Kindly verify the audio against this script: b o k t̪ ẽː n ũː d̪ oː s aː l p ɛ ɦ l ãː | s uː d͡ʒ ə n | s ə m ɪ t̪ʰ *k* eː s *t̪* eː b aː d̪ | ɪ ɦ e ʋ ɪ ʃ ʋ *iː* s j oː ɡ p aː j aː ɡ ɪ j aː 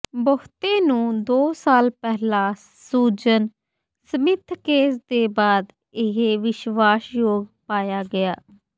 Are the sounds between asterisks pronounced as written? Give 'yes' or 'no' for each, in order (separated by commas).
yes, no, no